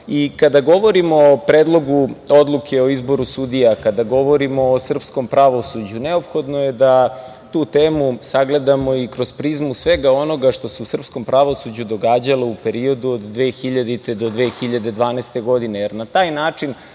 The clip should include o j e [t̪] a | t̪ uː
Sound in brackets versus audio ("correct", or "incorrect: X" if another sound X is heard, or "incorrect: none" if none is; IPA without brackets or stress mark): incorrect: d̪